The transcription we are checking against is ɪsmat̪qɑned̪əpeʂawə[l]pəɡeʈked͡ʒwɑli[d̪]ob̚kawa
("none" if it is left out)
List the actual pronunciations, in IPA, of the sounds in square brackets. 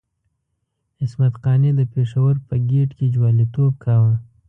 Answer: ɾ, t̪

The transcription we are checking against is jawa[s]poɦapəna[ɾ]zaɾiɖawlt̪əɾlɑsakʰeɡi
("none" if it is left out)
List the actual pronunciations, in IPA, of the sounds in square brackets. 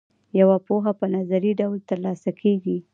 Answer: none, none

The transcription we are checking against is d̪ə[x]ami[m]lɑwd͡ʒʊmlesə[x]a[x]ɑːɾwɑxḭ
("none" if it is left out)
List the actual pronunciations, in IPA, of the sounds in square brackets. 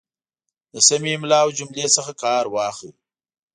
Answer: s, m, x, k

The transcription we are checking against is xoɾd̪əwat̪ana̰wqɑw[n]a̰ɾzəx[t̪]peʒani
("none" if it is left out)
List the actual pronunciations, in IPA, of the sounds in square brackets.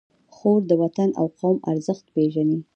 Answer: m, t̪

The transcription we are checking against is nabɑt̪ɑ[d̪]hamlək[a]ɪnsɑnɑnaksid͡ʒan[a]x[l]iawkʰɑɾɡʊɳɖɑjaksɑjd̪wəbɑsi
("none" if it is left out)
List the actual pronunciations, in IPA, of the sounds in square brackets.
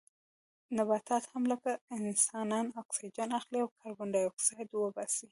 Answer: t̪, a, a, l

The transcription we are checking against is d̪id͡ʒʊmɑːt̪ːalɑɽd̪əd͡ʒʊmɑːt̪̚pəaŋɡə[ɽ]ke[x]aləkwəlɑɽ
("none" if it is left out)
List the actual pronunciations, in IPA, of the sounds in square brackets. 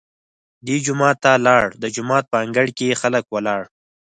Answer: ɽ, x

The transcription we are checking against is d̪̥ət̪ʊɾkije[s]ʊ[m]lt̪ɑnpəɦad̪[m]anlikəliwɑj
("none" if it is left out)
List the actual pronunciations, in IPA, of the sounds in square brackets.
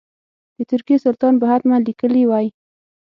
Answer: s, none, m

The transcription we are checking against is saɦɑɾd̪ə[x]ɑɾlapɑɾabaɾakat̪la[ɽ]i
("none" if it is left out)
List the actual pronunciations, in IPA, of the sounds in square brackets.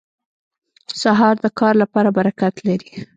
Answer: k, ɾ

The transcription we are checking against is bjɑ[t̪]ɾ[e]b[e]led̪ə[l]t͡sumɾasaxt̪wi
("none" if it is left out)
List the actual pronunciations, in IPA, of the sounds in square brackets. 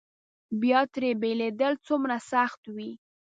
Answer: t̪, e, e, l

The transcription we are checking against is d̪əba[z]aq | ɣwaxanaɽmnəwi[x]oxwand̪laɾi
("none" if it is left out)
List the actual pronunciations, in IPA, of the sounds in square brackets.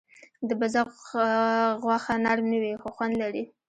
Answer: z, x

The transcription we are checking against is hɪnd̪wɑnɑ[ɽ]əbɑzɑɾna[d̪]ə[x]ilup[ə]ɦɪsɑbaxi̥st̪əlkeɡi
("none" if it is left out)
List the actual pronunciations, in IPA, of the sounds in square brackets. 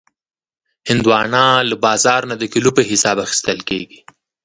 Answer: l, d̪, k, ə

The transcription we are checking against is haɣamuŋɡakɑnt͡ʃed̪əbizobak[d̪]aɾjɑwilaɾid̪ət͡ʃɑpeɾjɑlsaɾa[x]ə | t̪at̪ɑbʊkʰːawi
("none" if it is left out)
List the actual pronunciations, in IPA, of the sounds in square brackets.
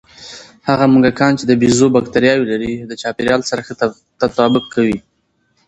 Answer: t̪, x

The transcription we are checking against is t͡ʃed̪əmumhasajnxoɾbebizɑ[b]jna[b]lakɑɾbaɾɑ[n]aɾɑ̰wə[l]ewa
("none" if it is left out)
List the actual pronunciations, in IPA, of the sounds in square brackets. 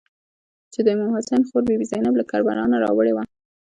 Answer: none, b, n, ɽ

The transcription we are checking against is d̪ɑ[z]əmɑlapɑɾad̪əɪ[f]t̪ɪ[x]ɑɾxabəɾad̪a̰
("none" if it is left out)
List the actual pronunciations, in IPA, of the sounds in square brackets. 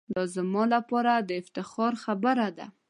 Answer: z, f, x

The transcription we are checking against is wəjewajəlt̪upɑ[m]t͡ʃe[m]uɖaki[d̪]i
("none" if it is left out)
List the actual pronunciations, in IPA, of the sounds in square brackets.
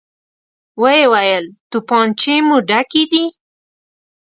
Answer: n, m, d̪

